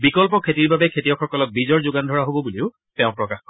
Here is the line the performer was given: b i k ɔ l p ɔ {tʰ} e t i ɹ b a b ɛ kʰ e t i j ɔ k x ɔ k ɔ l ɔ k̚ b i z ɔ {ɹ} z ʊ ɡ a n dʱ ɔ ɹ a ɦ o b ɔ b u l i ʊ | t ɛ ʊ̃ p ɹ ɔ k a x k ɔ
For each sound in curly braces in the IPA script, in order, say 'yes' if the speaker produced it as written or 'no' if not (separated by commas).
no, yes